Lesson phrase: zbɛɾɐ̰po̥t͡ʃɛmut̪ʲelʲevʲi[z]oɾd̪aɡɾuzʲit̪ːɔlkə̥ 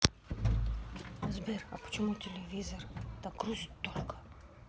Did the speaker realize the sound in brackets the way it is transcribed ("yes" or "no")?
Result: yes